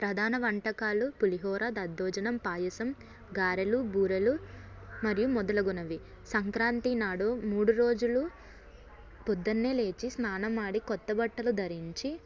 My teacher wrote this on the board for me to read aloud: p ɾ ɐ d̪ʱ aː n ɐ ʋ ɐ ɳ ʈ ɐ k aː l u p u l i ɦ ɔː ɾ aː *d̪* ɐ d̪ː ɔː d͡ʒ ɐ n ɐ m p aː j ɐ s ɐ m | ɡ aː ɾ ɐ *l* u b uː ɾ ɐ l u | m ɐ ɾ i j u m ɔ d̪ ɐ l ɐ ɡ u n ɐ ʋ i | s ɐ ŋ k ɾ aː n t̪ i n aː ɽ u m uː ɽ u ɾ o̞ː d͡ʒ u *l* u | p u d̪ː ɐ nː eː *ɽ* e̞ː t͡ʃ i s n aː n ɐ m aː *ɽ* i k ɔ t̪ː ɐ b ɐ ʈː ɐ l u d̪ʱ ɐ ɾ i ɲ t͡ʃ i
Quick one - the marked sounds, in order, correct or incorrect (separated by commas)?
correct, correct, correct, incorrect, correct